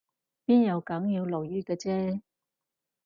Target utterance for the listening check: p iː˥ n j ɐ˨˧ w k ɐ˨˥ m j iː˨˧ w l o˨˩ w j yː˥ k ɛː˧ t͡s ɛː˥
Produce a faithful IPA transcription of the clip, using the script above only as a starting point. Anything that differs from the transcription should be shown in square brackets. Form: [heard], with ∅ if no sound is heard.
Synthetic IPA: p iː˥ n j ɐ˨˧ w k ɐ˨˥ [ŋ] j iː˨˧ w l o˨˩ w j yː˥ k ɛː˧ t͡s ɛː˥